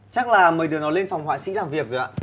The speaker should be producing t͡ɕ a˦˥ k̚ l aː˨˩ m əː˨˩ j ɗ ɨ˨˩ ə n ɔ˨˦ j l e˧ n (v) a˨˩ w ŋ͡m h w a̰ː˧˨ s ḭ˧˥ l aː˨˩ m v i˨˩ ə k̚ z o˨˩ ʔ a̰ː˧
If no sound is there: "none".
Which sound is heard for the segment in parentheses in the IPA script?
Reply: f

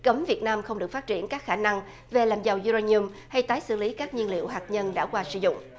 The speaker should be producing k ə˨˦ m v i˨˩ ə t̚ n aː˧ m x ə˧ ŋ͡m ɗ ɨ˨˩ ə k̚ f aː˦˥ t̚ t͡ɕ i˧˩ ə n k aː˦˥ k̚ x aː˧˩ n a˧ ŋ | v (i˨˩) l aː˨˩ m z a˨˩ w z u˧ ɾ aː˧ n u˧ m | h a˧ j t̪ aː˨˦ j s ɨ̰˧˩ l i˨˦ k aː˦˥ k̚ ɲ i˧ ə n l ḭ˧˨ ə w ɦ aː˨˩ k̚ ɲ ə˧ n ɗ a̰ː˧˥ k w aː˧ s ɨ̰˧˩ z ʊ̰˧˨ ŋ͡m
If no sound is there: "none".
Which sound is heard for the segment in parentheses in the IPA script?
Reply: e˨˩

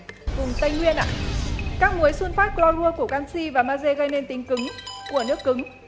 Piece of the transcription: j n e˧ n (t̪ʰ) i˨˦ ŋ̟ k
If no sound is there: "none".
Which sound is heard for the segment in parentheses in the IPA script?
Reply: t̪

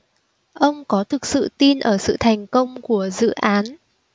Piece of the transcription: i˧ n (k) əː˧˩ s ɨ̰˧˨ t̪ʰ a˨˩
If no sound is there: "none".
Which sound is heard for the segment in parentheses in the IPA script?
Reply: ʔ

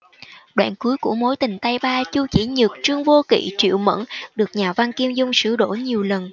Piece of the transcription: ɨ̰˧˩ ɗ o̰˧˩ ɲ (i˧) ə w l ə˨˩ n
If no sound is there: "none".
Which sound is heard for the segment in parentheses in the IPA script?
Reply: i˨˩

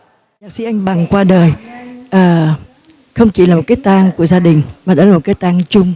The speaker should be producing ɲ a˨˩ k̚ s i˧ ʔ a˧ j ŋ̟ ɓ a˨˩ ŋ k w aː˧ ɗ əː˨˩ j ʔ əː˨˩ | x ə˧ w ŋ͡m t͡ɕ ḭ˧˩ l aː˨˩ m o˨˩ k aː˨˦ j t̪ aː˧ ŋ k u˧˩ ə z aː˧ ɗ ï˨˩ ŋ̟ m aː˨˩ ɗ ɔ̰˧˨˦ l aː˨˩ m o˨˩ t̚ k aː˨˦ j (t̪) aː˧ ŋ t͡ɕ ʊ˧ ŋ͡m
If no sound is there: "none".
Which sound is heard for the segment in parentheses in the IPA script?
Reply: t̪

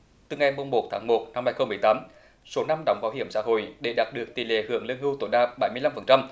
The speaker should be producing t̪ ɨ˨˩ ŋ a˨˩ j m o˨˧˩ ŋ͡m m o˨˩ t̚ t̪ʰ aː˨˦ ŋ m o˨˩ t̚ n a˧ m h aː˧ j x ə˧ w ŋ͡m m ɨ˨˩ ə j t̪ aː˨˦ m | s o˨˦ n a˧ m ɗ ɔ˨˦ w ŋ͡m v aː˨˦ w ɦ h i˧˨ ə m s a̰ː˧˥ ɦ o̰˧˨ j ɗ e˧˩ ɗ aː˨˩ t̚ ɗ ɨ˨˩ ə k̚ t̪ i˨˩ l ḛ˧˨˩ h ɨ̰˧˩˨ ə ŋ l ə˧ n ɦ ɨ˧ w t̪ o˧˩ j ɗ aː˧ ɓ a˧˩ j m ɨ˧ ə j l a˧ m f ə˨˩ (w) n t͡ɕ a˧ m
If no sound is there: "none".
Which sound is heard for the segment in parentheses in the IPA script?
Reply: none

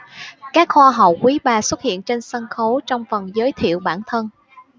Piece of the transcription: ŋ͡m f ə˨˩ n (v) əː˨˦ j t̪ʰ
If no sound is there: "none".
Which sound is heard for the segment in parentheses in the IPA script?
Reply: z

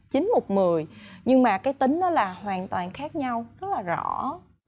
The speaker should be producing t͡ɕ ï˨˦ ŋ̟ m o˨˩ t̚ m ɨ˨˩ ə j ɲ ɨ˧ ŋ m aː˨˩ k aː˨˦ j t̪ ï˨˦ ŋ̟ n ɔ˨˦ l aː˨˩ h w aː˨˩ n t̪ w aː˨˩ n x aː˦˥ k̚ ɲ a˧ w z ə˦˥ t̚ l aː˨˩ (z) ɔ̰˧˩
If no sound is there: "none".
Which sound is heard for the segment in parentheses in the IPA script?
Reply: z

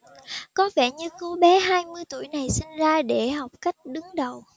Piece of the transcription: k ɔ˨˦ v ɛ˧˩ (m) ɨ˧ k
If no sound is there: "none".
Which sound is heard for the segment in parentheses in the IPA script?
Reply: ɲ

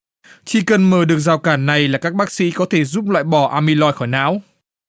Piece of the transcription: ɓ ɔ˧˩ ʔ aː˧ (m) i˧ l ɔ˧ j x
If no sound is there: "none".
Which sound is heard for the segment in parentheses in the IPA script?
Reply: m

